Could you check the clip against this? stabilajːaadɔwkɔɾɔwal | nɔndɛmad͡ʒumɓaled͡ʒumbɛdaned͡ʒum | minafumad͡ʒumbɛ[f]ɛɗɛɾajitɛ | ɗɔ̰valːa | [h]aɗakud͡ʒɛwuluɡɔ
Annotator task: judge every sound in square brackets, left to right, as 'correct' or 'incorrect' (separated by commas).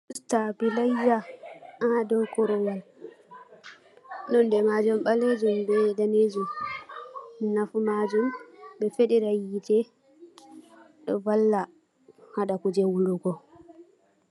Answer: correct, correct